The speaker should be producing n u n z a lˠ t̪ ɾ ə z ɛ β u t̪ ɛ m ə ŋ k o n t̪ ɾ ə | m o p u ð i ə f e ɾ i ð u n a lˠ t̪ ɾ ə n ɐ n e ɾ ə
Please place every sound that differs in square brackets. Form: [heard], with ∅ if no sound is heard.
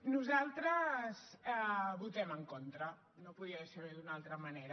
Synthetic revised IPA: n u [∅] z a lˠ t̪ ɾ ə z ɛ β u t̪ ɛ m ə ŋ k o n t̪ ɾ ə | [n] o p u ð i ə [s] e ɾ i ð u n a lˠ t̪ ɾ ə [m] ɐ n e ɾ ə